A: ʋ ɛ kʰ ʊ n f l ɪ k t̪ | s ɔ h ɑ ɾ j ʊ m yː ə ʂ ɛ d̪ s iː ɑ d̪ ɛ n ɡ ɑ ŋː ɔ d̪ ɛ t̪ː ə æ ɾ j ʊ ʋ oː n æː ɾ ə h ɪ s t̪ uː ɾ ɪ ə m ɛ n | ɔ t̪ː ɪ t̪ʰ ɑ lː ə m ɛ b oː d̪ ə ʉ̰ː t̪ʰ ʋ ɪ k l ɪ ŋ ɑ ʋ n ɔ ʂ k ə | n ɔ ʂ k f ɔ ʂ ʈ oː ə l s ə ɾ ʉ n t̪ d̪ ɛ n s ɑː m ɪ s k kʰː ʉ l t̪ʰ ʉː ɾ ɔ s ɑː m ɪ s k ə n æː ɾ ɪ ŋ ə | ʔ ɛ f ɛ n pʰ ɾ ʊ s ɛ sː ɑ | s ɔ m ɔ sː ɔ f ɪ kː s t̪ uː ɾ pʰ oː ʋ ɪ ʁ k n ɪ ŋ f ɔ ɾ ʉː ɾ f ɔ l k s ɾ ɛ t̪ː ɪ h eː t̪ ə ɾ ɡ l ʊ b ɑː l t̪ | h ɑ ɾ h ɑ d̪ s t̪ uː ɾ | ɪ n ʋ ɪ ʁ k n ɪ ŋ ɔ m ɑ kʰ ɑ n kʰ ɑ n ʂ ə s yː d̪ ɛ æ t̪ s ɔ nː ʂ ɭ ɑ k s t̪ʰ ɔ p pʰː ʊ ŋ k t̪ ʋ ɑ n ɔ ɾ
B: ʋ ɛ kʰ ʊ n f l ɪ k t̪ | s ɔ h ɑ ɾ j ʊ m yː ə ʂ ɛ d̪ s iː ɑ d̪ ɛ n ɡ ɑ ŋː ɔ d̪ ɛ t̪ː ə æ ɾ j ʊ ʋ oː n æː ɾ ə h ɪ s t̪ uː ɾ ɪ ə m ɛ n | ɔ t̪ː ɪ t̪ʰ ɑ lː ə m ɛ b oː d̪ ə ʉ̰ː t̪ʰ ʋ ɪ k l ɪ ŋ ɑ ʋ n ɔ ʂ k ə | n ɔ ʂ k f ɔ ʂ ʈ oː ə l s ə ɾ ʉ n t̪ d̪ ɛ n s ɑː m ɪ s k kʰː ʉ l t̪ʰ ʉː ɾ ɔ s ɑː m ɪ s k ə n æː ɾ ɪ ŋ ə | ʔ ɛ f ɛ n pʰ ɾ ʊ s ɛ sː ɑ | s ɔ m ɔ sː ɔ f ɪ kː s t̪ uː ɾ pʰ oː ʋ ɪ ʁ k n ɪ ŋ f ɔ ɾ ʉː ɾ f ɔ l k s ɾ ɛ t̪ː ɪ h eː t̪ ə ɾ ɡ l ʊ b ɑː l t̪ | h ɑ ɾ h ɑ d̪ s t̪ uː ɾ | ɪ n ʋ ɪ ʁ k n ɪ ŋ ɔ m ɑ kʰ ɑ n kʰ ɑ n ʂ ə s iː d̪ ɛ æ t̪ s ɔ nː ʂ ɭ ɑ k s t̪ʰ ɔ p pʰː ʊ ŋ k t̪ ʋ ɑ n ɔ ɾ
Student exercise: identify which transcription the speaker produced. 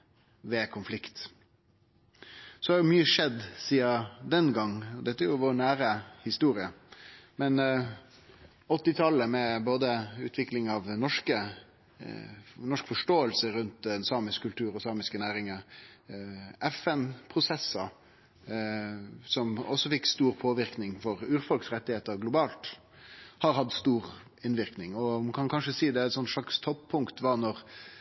B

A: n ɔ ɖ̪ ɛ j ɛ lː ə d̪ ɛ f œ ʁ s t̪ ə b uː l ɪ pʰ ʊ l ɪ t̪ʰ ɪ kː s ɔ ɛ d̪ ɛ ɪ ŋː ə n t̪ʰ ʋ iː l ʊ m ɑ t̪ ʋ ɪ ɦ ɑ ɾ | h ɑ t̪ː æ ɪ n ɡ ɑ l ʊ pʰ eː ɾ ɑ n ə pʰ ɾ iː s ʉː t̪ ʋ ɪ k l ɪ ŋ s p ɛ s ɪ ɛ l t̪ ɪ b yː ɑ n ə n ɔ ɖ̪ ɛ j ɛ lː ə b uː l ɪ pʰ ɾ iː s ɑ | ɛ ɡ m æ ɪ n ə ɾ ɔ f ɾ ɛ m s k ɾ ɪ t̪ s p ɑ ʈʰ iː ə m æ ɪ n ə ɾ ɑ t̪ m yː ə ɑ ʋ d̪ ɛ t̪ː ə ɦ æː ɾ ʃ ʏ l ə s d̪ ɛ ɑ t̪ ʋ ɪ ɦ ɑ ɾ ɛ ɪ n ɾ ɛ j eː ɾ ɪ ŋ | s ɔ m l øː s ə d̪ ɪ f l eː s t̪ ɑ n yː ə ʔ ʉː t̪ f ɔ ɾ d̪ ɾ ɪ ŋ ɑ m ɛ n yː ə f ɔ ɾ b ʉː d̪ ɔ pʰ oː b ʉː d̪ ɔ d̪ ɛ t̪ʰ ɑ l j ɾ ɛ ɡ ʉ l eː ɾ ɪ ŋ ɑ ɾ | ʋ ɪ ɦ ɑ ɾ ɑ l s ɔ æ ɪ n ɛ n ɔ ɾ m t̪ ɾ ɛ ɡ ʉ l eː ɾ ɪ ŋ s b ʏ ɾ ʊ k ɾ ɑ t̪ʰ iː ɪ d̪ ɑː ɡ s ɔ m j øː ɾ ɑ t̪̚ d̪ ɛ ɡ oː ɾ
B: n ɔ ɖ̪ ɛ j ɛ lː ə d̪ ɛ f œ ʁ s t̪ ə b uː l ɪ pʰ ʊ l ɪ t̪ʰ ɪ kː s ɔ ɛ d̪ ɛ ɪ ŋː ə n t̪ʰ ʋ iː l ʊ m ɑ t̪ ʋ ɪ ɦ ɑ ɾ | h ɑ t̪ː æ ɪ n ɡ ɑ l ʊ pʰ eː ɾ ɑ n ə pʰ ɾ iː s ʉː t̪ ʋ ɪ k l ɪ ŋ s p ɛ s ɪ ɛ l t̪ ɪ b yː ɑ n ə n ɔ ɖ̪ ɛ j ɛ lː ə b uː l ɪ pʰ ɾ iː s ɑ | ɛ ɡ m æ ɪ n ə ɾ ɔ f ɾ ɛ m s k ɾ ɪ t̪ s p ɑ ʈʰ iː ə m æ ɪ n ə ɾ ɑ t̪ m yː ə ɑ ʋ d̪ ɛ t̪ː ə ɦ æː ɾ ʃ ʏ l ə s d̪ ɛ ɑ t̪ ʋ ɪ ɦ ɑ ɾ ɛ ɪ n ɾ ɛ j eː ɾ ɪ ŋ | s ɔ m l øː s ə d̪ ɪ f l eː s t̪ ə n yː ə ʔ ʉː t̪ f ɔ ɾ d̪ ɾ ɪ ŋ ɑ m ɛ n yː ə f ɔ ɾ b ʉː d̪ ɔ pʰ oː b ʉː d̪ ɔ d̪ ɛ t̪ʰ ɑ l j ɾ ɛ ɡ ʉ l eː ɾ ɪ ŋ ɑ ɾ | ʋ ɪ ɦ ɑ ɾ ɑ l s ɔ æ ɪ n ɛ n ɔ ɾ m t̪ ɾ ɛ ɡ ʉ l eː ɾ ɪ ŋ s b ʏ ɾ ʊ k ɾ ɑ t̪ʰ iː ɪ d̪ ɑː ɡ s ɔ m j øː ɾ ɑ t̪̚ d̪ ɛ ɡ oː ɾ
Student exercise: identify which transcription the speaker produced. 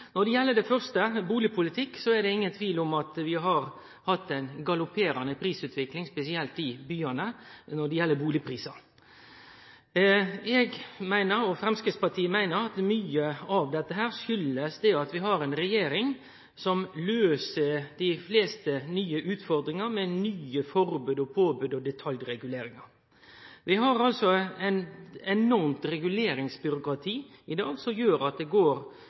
B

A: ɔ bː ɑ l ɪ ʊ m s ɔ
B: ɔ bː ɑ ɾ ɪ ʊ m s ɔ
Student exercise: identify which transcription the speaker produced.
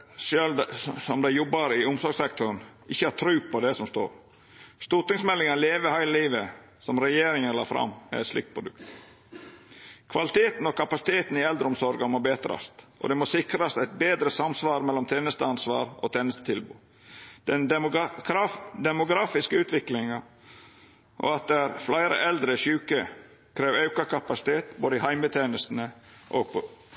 B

